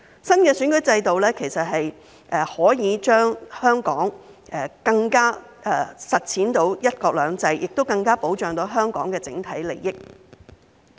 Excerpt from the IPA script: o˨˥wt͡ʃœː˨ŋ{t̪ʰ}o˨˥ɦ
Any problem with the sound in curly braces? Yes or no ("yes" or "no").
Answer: yes